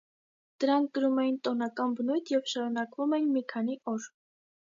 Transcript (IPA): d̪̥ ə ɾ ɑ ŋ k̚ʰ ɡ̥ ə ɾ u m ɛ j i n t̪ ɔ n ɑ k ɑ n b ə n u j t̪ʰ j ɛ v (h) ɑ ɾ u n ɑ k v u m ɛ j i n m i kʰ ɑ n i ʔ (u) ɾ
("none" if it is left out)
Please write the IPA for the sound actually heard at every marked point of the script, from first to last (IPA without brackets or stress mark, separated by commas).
ʃ, ɔ